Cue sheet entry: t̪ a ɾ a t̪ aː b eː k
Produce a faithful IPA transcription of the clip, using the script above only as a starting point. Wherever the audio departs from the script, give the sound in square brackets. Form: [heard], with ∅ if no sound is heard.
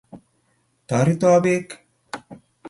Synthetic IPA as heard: t̪ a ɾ [i] t̪ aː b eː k

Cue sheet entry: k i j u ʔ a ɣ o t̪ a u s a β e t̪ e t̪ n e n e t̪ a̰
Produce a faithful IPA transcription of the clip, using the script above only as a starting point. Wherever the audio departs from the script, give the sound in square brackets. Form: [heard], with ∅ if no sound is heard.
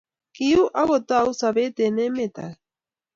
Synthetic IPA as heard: k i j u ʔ a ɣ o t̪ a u s a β e t̪ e [∅] n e [m] e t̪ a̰

